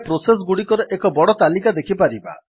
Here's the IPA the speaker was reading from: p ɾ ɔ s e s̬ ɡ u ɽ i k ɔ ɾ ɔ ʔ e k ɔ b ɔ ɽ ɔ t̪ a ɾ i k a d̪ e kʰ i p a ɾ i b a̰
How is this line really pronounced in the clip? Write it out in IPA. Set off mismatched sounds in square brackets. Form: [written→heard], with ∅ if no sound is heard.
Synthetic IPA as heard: p ɾ [ɔ→o] s e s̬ ɡ u ɽ i k ɔ ɾ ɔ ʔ e k ɔ b ɔ ɽ ɔ t̪ a [ɾ→l] i k a d̪ e kʰ i p a ɾ i b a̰